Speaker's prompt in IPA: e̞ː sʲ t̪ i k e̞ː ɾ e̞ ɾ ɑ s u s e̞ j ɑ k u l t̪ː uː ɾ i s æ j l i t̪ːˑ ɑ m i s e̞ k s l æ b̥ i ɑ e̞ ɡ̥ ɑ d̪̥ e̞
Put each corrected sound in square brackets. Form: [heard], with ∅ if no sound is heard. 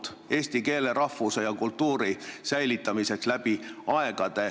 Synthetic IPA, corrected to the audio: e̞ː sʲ t̪ i k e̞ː [l] e̞ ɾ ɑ [f] u s e̞ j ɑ k u l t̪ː uː ɾ i s æ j l i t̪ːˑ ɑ m i s e̞ k s l æ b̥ i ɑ e̞ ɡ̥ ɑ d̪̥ e̞